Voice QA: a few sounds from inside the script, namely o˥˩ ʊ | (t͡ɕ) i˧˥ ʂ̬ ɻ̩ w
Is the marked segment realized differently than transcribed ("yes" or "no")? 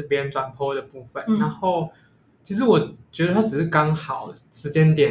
yes